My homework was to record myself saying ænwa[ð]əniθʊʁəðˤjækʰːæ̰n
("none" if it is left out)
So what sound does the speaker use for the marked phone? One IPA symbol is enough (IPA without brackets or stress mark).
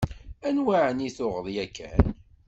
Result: ʕ